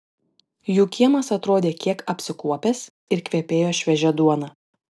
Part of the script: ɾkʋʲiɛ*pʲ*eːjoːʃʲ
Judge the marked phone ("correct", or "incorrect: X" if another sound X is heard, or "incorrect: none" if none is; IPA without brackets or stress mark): correct